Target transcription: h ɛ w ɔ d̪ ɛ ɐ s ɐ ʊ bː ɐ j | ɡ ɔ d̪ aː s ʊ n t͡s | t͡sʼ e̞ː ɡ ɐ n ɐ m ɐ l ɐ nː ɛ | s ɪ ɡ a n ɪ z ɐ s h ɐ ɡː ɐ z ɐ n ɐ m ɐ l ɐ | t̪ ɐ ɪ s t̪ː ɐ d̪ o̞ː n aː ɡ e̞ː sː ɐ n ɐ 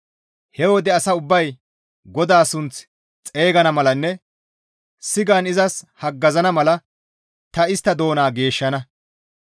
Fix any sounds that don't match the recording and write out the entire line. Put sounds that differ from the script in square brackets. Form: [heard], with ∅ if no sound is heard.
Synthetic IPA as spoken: h ɛ w ɔ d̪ ɛ ɐ s ɐ ʊ bː ɐ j | ɡ ɔ d̪ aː s ʊ n t͡s | t͡sʼ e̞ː ɡ ɐ n ɐ m ɐ l ɐ nː ɛ | s ɪ ɡ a n ɪ z ɐ s h ɐ ɡː ɐ z ɐ n ɐ m ɐ l ɐ | t̪ ɐ ɪ s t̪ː ɐ d̪ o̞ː n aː ɡ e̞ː [ʃː] ɐ n ɐ